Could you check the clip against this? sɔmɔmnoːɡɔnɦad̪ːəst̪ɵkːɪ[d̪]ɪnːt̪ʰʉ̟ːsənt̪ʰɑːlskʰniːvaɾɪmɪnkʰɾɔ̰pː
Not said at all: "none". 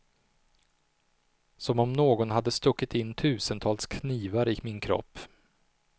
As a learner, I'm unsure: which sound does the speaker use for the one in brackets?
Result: t̪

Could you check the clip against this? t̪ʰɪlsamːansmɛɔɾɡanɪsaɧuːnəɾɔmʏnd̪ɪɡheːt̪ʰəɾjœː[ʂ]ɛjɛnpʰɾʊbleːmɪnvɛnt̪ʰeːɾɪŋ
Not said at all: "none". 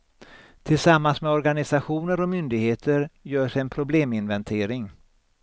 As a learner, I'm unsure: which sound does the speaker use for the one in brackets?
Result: ʂ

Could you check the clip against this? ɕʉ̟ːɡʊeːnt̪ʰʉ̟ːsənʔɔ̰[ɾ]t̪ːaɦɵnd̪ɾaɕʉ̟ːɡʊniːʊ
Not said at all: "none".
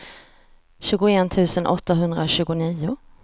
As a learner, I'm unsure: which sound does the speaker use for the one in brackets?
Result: none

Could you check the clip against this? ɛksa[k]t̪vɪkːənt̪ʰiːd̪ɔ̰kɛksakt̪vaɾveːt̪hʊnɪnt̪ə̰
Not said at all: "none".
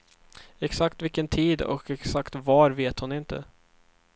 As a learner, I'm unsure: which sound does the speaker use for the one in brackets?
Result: k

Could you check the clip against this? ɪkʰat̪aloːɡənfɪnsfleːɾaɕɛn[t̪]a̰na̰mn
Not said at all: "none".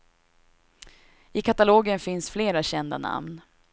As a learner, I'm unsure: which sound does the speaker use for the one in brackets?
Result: d̪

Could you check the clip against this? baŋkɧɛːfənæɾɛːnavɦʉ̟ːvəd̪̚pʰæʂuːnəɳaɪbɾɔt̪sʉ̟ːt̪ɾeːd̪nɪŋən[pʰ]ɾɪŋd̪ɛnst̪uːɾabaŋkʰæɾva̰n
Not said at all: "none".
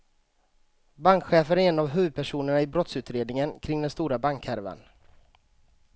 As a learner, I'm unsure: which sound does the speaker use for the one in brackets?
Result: kʰ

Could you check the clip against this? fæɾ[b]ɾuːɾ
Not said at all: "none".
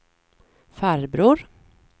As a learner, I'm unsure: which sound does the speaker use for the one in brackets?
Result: b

